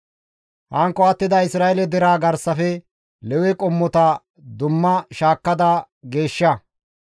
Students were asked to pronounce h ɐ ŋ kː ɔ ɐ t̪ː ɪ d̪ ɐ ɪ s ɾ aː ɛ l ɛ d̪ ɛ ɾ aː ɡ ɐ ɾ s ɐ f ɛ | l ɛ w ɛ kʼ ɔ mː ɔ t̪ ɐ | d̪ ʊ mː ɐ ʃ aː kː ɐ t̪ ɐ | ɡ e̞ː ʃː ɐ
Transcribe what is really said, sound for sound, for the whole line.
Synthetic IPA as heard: h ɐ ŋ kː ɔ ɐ t̪ː ɪ d̪ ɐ ɪ s ɾ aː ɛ l ɛ d̪ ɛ ɾ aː ɡ ɐ ɾ s ɐ f ɛ | l ɛ w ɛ kʼ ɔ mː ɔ t̪ ɐ | d̪ ʊ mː ɐ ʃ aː kː ɐ d̪ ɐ | ɡ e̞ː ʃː ɐ

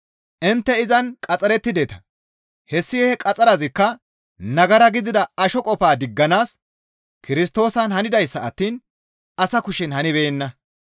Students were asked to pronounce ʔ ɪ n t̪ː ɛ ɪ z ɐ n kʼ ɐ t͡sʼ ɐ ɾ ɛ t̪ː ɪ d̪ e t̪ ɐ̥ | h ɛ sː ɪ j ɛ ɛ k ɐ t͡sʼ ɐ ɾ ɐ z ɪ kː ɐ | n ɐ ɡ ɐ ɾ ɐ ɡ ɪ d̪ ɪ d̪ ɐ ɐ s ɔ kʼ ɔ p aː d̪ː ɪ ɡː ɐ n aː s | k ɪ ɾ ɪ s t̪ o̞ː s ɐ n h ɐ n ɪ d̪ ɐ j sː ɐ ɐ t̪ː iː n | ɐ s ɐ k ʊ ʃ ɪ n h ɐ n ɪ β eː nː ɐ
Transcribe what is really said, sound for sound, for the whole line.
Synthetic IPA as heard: ʔ ɪ n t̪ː ɛ ɪ z ɐ n kʼ ɐ t͡sʼ ɐ ɾ ɛ t̪ː ɪ d̪ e t̪ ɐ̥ | h ɛ sː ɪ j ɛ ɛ kʼ ɐ t͡sʼ ɐ ɾ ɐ z ɪ kː ɐ | n ɐ ɡ ɐ ɾ ɐ ɡ ɪ d̪ ɪ d̪ ɐ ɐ ʃ ɔ kʼ ɔ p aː d̪ ɪ ɡː ɐ n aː s | k ɪ ɾ ɪ s t̪ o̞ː s ɐ n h ɐ n ɪ d̪ ɐ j sː ɐ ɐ t̪ː iː n | ɐ s ɐ k ʊ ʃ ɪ n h ɐ n ɪ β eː nː ɐ

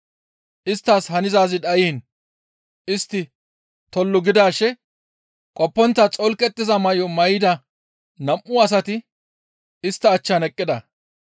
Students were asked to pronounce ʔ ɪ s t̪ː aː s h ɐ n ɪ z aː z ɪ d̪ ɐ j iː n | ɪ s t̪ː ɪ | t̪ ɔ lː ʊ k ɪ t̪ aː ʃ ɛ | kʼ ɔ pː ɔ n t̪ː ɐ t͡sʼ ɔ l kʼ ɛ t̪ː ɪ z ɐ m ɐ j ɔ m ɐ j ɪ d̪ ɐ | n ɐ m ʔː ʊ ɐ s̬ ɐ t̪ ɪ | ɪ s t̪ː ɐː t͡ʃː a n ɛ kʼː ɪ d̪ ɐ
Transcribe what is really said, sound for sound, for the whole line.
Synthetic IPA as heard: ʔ ɪ s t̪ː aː s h ɐ n ɪ z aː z ɪ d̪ ɐ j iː n | ɪ s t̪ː ɪ | t̪ ɔ lː ʊ ɡ ɪ d̪ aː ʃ ɛ | kʼ ɔ pː ɔ n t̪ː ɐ t͡sʼ ɔ l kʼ ɛ t̪ː ɪ z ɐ m ɐ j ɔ m ɐ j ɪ d̪ ɐ | n ɐ m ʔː ʊ ɐ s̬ ɐ t̪ ɪ | ɪ s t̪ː ɐː t͡ʃː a n ɛ kʼː ɪ d̪ ɐ

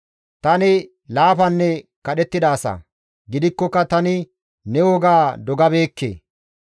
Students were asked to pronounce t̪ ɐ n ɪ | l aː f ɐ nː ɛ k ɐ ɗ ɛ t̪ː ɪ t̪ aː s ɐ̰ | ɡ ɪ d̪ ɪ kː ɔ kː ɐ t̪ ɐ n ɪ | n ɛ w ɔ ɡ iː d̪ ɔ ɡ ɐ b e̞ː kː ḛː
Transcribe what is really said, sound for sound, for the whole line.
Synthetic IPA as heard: t̪ ɐ n ɪ | l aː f ɐ nː ɛ k ɐ ɗ ɛ t̪ː ɪ d̪ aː s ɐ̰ | ɡ ɪ d̪ ɪ kː ɔ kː ɐ t̪ ɐ n ɪ | n ɛ w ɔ ɡ aː d̪ ɔ ɡ ɐ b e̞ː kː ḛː

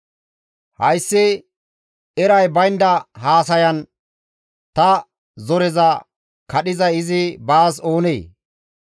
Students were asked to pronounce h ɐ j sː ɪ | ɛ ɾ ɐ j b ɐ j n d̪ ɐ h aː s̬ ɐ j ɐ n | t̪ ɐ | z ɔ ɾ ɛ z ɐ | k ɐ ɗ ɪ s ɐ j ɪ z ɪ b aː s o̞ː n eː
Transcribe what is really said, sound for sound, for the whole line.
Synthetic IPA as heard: h ɐ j sː ɪ | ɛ ɾ ɐ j b ɐ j n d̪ ɐ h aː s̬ ɐ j ɐ n | t̪ ɐ | z ɔ ɾ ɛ z ɐ | k ɐ ɗ ɪ z ɐ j ɪ z ɪ b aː s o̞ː n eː

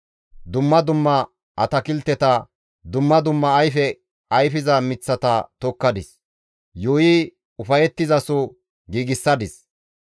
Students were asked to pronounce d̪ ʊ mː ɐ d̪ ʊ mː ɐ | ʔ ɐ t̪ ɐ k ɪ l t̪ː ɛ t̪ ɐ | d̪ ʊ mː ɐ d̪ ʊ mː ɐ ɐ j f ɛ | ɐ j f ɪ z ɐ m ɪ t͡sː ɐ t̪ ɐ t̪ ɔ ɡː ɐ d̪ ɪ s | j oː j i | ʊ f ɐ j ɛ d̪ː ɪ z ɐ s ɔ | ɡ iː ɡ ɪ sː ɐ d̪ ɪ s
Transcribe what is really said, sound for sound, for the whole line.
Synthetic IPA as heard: d̪ ʊ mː ɐ d̪ ʊ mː ɐ | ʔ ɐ t̪ ɐ k ɪ l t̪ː ɛ t̪ ɐ | d̪ ʊ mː ɐ d̪ ʊ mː ɐ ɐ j f ɛ | ɐ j f ɪ z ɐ m ɪ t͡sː ɐ t̪ ɐ t̪ ɔ kː ɐ d̪ ɪ s | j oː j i | ʊ f ɐ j ɛ t̪ː ɪ z ɐ s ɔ | ɡ iː ɡ ɪ sː ɐ d̪ ɪ s

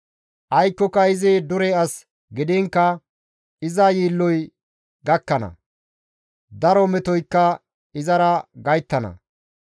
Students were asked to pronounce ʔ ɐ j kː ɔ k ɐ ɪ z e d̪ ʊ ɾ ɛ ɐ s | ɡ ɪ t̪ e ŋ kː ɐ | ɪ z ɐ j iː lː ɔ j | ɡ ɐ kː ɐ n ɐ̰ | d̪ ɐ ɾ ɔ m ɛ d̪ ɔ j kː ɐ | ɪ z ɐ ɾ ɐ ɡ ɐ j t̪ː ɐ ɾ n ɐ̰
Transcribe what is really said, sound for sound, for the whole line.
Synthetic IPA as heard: ʔ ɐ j kː ɔ k ɐ ɪ z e d̪ ʊ ɾ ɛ ɐ s | ɡ ɪ d̪ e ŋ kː ɐ | ɪ z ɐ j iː lː ɔ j | ɡ ɐ kː ɐ n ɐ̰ | d̪ ɐ ɾ ɔ m ɛ t̪ ɔ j kː ɐ | ɪ z ɐ ɾ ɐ ɡ ɐ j t̪ː ɐ n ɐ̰

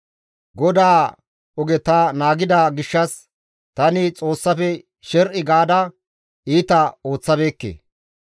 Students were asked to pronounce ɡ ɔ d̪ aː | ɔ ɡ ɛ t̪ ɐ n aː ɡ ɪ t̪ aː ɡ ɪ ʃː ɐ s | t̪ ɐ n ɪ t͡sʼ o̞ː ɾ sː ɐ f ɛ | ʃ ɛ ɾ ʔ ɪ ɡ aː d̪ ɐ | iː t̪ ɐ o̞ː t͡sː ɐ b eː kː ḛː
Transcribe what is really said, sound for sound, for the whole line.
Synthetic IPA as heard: ɡ ɔ d̪ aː | ɔ ɡ ɛ t̪ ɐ n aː ɡ ɪ d̪ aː ɡ ɪ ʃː ɐ s | t̪ ɐ n ɪ t͡sʼ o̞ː sː ɐ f ɛ | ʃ ɛ ɾ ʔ ɪ ɡ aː d̪ ɐ | iː t̪ ɐ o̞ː t͡sː ɐ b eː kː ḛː

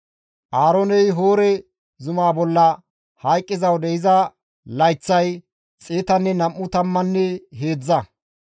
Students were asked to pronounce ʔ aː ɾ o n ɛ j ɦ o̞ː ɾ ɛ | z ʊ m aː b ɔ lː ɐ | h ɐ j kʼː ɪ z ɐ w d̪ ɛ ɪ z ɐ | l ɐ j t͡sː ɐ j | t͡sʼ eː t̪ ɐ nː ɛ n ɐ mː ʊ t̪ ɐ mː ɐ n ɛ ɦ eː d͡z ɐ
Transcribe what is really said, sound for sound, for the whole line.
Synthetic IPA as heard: ʔ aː ɾ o n ɛ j ɦ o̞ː ɾ ɛ | z ʊ m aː b ɔ lː ɐ | h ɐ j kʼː ɪ z ɐ w d̪ ɛ ɪ z ɐ | l ɐ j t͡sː ɐ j | t͡sʼ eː t̪ ɐ nː ɛ n ɐ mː ʊ t̪ ɐ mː ɐ nː ɛ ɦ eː d͡z ɐ

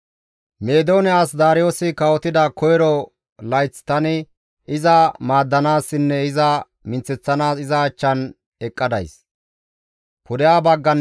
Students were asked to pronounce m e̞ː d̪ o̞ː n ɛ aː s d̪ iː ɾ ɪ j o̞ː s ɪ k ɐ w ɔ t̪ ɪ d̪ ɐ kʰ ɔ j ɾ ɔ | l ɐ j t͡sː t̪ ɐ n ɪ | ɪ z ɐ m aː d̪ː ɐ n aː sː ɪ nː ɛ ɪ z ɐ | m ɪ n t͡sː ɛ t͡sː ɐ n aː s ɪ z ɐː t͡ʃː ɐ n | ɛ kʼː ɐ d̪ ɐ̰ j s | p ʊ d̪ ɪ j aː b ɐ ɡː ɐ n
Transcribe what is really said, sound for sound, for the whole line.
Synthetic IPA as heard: m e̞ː d̪ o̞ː n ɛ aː s d̪ aː ɾ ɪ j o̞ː s ɪ k ɐ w ɔ t̪ ɪ d̪ ɐ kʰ ɔ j ɾ ɔ | l ɐ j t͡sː t̪ ɐ n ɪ | ɪ z ɐ m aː d̪ː ɐ n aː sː ɪ nː ɛ ɪ z ɐ | m ɪ n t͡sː ɛ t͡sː ɐ n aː s ɪ z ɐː t͡ʃː ɐ n | ɛ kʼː ɐ d̪ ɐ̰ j s | p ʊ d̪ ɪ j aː b ɐ ɡː ɐ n

